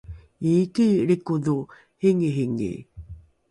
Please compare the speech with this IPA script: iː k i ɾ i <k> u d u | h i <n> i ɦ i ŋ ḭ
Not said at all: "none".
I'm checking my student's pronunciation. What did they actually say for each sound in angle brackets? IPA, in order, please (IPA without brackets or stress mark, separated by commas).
k, ŋ